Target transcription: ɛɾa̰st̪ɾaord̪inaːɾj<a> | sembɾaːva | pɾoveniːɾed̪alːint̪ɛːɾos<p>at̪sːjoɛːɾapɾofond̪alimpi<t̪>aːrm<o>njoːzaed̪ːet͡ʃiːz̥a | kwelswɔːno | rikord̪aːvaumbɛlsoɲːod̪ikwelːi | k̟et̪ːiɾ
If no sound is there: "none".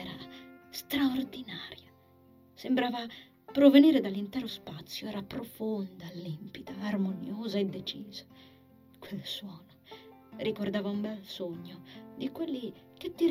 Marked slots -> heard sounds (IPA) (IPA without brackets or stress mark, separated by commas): a, p, d̪, o